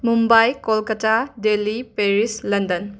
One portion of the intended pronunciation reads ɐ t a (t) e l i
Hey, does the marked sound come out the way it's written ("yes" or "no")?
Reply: no